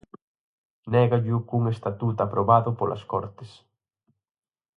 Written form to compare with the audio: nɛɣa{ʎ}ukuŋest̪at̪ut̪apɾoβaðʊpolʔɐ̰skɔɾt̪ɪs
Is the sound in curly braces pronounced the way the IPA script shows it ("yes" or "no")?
yes